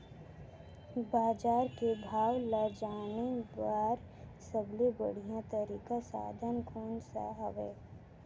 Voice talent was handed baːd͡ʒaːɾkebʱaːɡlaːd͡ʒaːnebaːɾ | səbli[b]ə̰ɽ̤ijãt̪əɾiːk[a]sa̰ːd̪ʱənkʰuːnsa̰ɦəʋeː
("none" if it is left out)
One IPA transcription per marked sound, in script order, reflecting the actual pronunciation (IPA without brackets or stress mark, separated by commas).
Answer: b, a